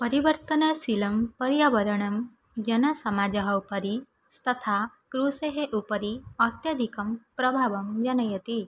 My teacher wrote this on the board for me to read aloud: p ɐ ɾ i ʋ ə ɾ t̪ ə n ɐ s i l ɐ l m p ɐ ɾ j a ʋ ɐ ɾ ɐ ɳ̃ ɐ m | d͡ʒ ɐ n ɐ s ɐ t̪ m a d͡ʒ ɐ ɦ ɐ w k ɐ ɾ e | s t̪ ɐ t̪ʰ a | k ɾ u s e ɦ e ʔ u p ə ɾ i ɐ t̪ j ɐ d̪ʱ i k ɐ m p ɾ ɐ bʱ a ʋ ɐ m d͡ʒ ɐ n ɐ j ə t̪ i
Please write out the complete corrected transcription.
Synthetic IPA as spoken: p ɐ ɾ i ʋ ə ɾ t̪ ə n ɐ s i l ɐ m p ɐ ɾ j a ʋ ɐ ɾ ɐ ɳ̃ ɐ m | d͡ʒ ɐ n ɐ s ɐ m a d͡ʒ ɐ ɦ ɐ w p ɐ ɾ i | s t̪ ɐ t̪ʰ a | k ɾ u s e ɦ e ʔ u p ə ɾ i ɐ t̪ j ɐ d̪ʱ i k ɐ m p ɾ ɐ bʱ a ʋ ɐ m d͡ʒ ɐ n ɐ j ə t̪ i